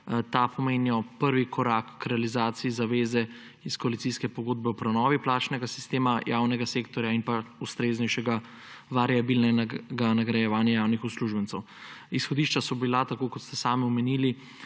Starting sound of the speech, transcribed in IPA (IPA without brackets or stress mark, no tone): t̪